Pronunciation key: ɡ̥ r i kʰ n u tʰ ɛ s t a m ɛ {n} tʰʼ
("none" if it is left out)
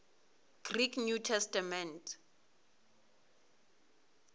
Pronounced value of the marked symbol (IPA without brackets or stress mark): n